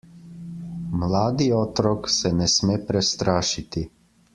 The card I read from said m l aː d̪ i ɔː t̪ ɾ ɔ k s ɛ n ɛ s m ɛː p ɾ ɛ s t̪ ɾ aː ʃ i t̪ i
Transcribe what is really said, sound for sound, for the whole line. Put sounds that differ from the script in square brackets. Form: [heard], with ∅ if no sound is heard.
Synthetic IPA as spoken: m l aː d̪ i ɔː t̪ ɾ ɔ k s ɛ n ɛ s m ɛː p ɾ ɛ s t̪ ɾ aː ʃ i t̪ i